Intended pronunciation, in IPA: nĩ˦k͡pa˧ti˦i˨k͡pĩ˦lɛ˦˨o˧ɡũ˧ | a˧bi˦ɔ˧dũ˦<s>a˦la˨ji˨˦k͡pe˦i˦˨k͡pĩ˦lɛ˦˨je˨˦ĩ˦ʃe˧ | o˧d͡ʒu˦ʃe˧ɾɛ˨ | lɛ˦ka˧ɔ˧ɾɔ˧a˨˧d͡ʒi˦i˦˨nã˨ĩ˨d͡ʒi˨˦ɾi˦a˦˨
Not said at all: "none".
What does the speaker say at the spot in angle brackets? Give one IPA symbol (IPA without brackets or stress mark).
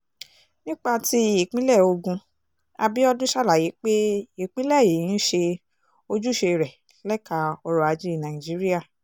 ʃ